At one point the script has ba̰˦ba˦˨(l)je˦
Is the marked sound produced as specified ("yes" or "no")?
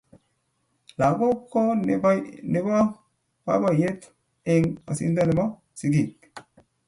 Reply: no